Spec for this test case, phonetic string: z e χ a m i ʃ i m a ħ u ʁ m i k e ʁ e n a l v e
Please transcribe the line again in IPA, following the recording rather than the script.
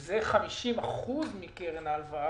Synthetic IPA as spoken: z e χ a m i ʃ i m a χ u z m i k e ʁ e n a l v a